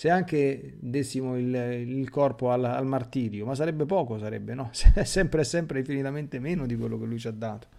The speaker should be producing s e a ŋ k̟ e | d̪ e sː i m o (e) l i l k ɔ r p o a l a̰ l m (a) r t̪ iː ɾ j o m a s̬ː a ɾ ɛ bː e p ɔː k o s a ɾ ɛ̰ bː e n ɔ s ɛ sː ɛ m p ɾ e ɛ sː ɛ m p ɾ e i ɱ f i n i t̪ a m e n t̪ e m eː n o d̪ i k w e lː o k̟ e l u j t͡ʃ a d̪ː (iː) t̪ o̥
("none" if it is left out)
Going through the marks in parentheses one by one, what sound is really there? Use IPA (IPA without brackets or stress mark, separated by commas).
i, a, aː